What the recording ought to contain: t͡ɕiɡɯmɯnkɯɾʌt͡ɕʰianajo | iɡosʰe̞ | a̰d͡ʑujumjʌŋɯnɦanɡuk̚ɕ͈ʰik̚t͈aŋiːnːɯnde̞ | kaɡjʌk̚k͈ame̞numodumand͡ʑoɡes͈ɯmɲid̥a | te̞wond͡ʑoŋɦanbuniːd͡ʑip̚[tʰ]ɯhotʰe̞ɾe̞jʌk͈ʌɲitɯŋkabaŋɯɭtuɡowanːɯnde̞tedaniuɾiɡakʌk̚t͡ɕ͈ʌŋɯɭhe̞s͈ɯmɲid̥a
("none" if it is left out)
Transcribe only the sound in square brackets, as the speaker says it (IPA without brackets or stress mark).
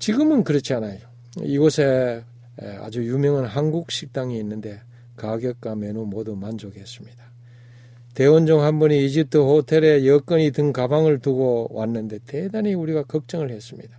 tʰ